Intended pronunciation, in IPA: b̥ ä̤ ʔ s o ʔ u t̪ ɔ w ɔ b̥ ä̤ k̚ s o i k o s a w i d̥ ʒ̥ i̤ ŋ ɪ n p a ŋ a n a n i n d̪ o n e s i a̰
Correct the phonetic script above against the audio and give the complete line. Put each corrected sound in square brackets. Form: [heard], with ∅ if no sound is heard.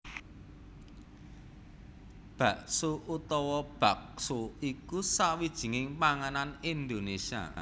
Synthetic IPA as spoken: b̥ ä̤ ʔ s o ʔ u t̪ ɔ w ɔ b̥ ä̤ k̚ s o i k [u] s a w i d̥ ʒ̥ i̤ ŋ ɪ [ŋ] p a ŋ a n a n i n d̪ o n e s i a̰